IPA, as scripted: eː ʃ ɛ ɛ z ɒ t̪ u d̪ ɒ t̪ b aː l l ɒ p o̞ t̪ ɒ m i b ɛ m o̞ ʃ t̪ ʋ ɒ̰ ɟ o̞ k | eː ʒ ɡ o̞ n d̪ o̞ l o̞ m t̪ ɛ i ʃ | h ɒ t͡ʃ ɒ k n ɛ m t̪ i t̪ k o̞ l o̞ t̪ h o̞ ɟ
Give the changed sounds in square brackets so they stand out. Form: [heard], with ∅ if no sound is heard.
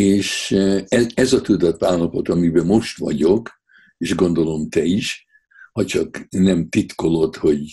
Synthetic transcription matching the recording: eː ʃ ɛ ɛ z ɒ t̪ u d̪ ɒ t̪ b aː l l ɒ p o̞ t̪ ɒ m i b ɛ m o̞ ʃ t̪ ʋ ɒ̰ ɟ o̞ k | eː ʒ ɡ o̞ n d̪ o̞ l o̞ m t̪ ɛ i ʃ | h ɒ t͡ʃ ɒ k n ɛ m t̪ i t̪ k o̞ l o̞ t̪ h o̞ ɟ